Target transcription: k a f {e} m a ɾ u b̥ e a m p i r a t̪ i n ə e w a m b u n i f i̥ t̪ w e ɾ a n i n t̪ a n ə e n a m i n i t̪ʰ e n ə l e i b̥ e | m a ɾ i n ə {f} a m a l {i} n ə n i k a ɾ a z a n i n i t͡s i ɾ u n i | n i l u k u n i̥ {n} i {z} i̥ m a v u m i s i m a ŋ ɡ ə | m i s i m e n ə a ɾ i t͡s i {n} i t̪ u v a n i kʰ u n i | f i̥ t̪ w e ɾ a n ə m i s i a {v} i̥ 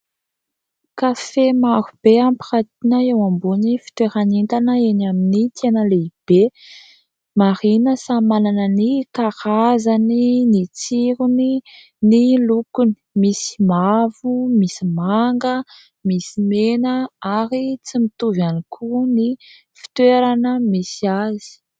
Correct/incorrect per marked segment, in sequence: correct, incorrect: s, incorrect: a, incorrect: m, incorrect: s, incorrect: m, incorrect: z

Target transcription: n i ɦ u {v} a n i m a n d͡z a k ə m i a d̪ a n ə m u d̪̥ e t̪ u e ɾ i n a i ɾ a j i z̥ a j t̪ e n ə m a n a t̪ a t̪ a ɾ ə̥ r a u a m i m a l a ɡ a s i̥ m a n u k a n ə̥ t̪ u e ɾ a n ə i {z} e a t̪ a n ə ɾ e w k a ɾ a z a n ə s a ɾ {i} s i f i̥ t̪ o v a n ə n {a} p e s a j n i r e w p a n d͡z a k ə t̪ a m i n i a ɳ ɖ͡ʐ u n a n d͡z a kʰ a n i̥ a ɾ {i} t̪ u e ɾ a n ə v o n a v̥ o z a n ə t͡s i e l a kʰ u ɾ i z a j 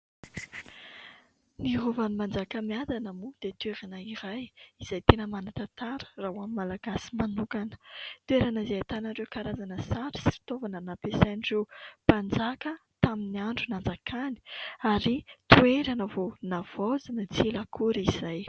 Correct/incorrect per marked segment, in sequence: correct, correct, correct, correct, correct

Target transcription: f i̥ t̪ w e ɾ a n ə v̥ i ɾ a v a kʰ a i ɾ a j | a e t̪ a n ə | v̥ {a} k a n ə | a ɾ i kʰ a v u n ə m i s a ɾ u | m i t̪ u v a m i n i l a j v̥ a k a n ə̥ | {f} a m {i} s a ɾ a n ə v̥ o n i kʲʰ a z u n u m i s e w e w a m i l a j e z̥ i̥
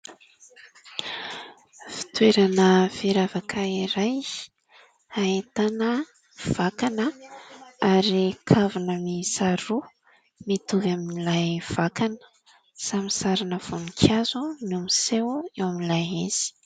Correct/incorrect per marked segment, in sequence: correct, incorrect: s, correct

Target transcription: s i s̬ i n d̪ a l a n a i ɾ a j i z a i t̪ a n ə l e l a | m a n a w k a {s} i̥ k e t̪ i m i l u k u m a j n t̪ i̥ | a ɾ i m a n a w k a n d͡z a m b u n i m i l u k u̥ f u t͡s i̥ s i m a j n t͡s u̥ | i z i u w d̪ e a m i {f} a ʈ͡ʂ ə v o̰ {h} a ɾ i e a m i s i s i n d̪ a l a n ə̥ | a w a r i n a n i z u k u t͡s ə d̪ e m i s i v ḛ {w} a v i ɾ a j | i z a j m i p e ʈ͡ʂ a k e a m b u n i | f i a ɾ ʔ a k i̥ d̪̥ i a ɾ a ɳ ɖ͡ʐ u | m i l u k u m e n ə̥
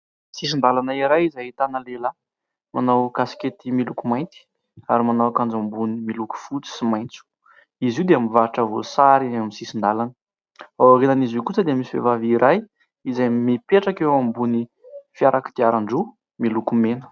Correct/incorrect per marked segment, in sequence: correct, incorrect: v, incorrect: s, incorrect: v

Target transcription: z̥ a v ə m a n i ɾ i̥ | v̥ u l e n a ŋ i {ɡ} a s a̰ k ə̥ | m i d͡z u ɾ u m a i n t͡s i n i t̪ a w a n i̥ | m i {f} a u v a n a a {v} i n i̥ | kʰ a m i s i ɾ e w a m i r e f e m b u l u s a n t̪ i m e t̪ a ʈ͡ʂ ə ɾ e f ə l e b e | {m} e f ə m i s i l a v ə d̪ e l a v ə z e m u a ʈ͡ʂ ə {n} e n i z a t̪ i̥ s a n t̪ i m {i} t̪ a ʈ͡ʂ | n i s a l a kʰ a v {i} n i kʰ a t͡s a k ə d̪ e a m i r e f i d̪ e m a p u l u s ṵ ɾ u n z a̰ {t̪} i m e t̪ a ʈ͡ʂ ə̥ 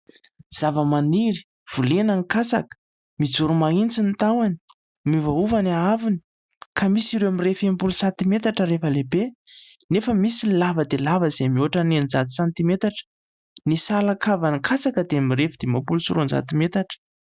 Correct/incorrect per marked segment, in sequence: incorrect: k, incorrect: v, correct, incorrect: n, correct, incorrect: e, incorrect: a, correct

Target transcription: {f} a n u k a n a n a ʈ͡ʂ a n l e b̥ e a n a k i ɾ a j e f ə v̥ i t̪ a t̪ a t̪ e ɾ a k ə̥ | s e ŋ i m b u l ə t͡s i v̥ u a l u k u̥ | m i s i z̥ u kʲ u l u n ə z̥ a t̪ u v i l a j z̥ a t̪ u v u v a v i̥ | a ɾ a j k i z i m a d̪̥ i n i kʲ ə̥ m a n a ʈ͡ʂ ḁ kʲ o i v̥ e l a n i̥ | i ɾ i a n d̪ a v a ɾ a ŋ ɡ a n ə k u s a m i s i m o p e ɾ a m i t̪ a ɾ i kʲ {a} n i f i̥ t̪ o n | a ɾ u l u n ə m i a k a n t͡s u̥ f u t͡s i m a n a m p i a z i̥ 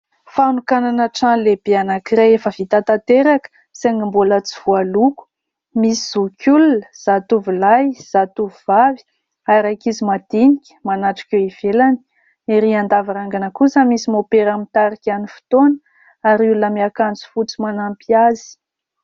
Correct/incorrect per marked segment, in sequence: correct, correct

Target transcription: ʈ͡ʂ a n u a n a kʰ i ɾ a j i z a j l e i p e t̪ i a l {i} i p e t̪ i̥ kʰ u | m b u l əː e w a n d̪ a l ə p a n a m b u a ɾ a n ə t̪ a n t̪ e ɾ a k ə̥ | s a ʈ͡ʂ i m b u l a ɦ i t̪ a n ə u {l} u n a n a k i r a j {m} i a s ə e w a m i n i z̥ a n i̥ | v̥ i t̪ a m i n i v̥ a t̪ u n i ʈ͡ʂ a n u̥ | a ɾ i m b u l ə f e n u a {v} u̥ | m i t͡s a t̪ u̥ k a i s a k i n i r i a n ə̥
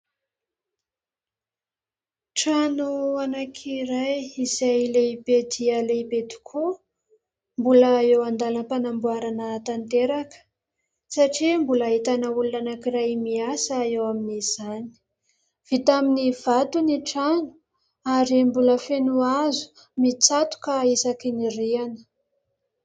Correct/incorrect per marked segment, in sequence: incorrect: e, correct, correct, incorrect: z

